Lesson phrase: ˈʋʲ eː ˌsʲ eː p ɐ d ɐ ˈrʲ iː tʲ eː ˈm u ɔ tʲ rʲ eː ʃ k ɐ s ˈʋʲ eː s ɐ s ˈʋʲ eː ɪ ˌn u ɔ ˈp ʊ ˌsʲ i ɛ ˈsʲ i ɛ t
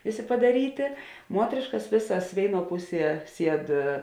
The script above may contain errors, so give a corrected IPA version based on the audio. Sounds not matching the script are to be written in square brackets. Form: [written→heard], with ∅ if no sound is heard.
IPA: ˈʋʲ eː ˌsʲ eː p ɐ d ɐ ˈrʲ iː tʲ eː ˈm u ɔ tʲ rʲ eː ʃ k ɐ s ˈʋʲ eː s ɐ s ˈʋʲ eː ɪ ˌn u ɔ ˈp ʊ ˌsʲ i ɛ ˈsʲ i ɛ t